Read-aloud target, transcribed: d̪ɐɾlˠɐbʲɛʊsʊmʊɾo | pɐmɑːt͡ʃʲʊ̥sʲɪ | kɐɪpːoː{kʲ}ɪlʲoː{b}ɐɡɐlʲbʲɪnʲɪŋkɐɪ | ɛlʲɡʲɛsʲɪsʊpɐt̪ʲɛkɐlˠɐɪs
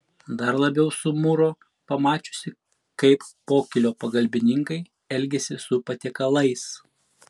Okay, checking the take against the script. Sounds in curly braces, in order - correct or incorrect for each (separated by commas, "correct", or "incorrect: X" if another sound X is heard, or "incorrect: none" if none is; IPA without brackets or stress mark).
correct, incorrect: p